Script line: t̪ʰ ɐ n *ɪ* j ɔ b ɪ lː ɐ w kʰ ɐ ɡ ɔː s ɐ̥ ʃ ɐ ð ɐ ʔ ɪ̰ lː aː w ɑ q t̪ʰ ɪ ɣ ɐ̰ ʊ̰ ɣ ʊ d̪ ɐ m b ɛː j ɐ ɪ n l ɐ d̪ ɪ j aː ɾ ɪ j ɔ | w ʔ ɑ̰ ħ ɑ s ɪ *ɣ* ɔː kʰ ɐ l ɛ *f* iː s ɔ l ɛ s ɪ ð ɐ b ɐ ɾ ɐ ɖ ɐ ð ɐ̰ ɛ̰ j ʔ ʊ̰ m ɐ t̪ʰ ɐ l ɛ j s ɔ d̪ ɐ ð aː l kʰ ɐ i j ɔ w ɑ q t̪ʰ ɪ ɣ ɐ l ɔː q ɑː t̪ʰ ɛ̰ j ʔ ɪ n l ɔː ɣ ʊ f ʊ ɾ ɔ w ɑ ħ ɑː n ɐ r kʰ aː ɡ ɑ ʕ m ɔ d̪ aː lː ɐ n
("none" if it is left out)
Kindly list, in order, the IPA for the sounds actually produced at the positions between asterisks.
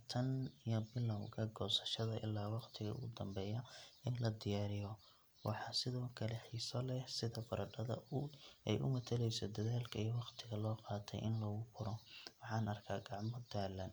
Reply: i, ð, ħ

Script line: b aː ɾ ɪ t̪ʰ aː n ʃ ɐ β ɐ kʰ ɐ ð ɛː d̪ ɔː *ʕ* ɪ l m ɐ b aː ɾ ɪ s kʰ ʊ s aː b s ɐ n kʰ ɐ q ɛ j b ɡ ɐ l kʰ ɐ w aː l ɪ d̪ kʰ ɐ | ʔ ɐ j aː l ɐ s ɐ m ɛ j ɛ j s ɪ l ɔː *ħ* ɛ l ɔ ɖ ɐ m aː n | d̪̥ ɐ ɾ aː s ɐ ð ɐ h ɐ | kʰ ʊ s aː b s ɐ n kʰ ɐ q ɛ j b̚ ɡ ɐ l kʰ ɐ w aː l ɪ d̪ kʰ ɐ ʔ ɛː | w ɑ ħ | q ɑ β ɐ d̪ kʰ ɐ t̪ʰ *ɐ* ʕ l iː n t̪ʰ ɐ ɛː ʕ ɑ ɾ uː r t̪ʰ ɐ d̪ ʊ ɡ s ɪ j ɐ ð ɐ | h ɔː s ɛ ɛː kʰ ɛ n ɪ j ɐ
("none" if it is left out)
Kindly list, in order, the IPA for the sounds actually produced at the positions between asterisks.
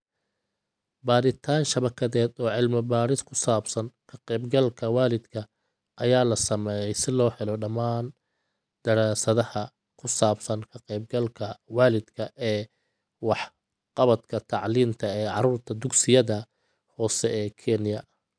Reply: ʕ, ħ, ɑ

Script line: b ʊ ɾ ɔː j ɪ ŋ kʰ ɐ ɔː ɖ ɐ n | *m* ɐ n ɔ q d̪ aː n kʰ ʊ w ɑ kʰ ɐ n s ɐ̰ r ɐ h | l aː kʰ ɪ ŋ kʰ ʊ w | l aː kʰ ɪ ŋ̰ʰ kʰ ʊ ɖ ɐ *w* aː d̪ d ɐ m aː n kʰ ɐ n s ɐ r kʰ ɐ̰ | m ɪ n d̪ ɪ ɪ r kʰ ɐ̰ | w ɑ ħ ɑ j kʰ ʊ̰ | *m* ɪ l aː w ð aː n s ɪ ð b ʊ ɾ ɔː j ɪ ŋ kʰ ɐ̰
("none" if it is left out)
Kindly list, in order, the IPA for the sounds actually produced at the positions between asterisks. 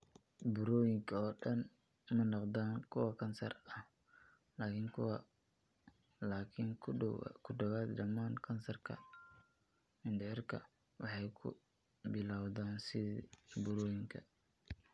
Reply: m, w, b

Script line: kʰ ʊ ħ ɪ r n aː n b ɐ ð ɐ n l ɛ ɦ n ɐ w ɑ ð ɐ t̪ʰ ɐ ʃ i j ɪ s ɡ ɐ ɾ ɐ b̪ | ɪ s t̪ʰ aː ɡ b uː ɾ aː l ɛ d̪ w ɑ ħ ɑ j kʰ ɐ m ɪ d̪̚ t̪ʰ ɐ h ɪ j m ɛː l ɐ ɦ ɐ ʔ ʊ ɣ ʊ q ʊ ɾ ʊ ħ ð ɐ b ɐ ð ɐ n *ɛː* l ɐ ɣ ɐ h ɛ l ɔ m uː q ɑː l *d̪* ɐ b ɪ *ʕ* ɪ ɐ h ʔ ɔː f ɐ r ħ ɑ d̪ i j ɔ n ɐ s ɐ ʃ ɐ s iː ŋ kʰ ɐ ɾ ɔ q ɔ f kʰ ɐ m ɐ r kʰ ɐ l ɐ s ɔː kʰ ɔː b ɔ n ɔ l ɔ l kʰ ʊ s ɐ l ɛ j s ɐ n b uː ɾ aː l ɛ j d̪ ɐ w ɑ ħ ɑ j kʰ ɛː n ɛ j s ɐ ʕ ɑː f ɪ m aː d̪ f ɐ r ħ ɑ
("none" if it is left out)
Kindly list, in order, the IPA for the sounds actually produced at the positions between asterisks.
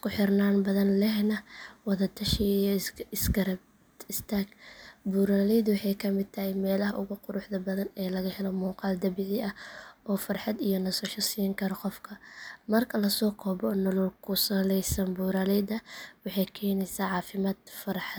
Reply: ɛː, d̪, ʕ

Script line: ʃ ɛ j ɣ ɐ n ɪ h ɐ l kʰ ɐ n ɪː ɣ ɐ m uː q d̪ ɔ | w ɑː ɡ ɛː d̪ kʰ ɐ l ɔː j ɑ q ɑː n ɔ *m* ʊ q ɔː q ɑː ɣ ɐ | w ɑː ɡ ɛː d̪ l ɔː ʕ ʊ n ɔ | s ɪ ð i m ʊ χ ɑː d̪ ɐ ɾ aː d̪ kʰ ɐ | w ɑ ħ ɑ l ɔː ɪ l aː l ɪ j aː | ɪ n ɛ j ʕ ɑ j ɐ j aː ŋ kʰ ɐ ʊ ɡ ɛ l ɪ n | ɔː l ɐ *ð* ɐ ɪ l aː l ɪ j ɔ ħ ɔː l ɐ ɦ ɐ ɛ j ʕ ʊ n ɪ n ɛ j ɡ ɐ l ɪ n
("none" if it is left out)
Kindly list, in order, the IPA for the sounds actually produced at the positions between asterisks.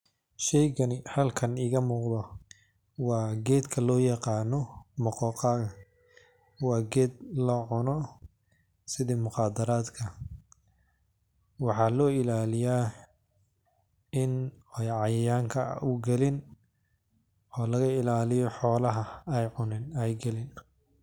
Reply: m, ɣ

